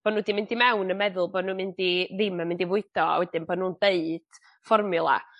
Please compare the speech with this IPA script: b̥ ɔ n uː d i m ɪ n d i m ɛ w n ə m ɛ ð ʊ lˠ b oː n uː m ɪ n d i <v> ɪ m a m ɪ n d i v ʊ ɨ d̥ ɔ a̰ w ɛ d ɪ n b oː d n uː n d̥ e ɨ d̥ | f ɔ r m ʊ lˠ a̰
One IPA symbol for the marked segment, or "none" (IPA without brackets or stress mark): ð